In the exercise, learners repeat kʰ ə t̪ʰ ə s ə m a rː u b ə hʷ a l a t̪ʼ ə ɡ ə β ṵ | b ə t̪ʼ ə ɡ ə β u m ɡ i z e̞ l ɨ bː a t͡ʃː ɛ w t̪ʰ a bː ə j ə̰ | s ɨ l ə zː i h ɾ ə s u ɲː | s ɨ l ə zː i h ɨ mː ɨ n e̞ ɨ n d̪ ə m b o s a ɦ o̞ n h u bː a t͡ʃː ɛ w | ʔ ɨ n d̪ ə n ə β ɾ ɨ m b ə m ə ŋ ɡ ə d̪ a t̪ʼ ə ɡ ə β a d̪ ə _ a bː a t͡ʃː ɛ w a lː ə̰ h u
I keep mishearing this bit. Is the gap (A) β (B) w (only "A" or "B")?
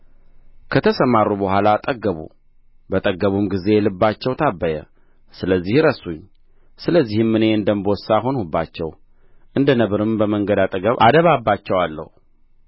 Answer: A